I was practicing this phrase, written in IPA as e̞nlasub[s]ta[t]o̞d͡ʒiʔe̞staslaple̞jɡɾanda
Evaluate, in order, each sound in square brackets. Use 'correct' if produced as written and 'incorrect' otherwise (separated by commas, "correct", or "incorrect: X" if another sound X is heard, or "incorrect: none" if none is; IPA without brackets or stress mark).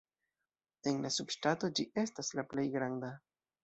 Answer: incorrect: ʃ, correct